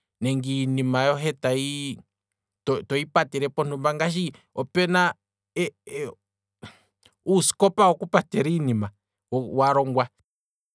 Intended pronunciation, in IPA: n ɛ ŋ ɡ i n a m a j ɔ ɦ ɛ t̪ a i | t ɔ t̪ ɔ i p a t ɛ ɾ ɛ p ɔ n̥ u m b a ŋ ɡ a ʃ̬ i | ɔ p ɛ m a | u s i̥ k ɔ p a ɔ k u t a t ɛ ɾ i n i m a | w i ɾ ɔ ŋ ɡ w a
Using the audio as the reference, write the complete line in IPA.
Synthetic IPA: n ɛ ŋ ɡ i n i m a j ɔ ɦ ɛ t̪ a i | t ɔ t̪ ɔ i p a t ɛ ɾ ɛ p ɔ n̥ u m b a ŋ ɡ a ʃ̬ i | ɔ p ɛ n a | u s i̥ k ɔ p a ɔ k u p a t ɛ ɾ i n i m a | w a ɾ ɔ ŋ ɡ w a